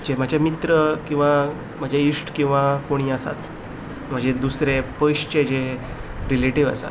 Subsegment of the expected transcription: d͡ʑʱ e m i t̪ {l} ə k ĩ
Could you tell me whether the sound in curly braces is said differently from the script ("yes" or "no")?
yes